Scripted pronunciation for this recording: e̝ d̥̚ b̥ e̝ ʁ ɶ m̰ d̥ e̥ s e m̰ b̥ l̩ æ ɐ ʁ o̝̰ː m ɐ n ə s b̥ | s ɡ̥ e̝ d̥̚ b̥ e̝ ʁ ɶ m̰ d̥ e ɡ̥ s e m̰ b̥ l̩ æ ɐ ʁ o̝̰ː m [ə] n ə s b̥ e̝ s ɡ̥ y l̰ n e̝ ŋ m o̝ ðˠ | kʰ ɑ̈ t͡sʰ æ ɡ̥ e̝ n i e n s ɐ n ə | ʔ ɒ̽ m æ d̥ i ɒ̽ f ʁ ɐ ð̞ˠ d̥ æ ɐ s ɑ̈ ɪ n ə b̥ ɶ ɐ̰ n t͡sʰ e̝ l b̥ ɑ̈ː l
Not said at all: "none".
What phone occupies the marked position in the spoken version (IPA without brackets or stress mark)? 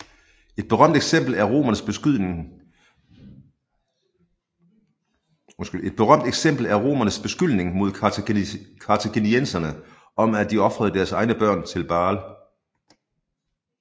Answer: ɐ